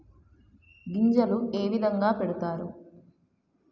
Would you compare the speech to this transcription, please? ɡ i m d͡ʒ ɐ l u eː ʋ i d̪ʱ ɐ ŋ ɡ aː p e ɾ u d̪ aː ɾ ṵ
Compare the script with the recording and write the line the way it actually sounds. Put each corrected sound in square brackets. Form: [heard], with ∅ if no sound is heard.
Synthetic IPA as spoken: ɡ i [ɲ] d͡ʒ ɐ l u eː ʋ i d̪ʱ ɐ ŋ ɡ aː p e [ɽ] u [t̪] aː ɾ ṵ